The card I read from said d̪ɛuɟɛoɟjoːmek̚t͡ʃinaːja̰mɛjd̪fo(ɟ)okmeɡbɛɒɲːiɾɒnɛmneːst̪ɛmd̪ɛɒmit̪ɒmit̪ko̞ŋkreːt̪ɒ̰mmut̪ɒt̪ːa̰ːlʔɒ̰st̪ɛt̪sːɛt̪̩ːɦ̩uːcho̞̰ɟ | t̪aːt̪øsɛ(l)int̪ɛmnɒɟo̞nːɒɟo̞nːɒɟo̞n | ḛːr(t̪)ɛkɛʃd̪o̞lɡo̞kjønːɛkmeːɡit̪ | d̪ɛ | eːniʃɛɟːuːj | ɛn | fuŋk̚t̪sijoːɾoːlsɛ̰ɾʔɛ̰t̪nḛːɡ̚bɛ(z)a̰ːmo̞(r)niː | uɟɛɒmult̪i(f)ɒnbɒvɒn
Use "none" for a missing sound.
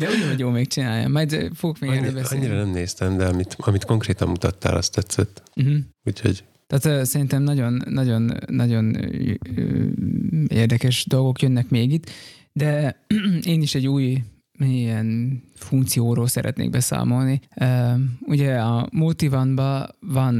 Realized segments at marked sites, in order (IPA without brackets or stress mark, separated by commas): ɡ, ɾ, d̪, s, l, v